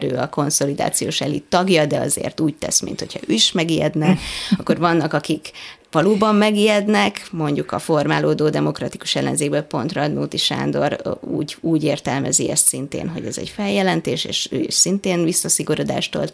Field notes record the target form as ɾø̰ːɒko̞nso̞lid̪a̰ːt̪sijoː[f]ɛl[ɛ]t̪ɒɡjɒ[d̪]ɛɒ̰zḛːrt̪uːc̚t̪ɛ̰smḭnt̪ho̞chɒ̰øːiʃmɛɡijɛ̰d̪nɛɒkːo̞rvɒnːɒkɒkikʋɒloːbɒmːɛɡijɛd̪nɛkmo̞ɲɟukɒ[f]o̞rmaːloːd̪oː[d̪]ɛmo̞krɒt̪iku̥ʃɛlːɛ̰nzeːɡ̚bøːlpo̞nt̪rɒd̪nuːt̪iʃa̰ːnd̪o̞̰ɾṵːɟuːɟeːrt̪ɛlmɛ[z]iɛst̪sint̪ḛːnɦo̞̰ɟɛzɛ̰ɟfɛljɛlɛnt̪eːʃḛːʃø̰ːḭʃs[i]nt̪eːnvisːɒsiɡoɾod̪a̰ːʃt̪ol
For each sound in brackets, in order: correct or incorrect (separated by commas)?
incorrect, incorrect, correct, correct, correct, correct, correct